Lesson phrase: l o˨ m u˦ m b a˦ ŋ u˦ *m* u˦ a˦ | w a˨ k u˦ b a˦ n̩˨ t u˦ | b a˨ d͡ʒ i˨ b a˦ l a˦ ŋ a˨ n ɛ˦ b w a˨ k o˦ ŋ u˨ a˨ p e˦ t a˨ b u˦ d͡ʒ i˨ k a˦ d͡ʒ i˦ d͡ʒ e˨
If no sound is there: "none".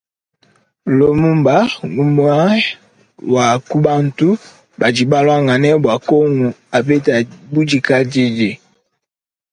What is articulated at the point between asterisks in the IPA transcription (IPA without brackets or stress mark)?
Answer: m